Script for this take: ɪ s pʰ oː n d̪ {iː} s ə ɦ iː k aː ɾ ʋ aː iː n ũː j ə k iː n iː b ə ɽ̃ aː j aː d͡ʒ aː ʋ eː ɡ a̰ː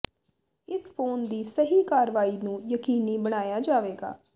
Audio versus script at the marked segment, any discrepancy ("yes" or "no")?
no